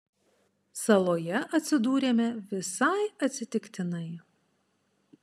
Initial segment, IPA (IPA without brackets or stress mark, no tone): s